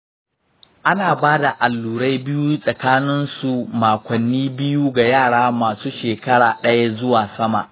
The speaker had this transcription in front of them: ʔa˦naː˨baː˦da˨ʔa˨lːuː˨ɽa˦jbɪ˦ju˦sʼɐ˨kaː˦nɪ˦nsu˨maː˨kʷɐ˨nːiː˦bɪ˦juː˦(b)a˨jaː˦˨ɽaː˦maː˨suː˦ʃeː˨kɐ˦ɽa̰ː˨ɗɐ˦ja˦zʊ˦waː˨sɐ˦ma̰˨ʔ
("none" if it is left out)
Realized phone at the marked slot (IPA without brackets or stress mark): ɡ